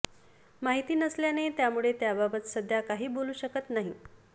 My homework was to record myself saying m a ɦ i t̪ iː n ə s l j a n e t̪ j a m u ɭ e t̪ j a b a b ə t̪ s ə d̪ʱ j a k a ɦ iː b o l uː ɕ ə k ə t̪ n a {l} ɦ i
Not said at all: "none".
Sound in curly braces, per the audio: none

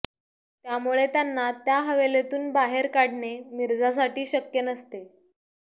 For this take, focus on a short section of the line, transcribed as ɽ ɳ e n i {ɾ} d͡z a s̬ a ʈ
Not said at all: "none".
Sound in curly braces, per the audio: ɾ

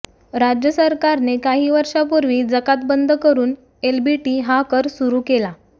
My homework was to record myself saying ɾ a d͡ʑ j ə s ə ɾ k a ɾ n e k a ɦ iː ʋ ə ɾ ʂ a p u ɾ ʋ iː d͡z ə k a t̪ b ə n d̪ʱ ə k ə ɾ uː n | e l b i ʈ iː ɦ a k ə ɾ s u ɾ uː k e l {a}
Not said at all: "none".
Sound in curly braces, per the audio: a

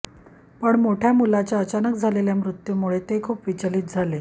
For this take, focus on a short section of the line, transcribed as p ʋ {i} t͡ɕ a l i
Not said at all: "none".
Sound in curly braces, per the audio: i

